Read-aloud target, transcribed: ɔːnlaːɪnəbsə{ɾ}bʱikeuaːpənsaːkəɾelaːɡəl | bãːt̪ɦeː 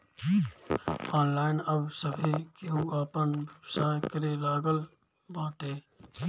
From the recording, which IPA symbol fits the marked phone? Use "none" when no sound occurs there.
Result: none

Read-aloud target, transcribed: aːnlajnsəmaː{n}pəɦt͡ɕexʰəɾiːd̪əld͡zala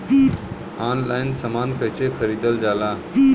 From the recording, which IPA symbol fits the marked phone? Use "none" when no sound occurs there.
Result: n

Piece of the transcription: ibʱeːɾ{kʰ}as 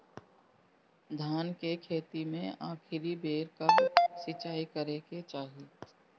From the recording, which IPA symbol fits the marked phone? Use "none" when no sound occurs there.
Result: k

